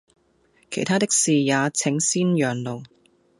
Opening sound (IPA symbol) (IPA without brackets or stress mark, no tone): kʰ